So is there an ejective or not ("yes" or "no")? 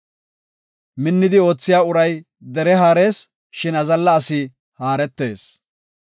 no